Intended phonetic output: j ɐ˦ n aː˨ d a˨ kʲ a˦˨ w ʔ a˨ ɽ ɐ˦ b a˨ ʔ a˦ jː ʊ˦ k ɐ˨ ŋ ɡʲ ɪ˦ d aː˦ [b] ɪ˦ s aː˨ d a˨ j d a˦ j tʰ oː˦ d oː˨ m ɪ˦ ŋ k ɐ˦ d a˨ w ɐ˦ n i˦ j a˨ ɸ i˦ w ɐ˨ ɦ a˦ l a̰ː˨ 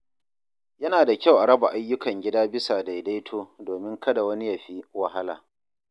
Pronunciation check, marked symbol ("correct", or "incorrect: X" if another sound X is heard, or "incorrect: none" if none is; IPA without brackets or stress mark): correct